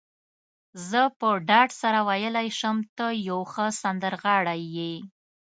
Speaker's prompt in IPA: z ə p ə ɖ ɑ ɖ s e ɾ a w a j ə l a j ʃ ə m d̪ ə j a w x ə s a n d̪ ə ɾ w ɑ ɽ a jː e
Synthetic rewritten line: z ə p ə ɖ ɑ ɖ s a ɾ a w a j ə l a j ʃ ə m t̪ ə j a w x ə s a n d̪ ə ɾ ɣ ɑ ɽ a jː e